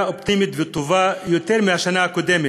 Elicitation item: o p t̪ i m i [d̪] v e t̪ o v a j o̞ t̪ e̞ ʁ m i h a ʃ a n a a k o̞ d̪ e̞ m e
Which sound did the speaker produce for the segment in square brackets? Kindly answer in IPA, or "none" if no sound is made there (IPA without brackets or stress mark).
t̪